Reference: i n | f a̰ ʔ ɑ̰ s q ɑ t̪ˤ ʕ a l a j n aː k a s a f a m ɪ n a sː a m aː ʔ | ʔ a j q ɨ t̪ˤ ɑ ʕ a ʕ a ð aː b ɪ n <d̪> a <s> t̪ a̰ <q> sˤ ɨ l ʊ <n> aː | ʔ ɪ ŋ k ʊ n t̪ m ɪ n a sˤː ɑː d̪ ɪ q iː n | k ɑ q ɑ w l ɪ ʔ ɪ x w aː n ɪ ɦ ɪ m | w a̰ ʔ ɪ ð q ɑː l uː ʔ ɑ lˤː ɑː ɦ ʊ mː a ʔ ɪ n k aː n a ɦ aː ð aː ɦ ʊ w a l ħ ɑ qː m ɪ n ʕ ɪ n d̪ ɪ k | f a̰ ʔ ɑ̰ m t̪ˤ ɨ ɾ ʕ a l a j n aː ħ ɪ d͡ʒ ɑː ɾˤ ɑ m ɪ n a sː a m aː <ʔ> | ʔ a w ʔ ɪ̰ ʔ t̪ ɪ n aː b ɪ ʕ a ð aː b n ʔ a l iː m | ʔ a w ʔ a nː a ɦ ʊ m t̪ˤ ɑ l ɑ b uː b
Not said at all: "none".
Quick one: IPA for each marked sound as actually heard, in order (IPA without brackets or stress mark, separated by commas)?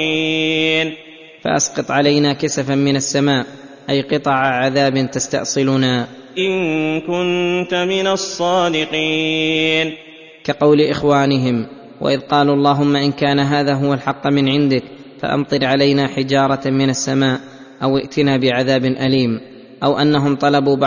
t̪, s, ʔ, n, ʔ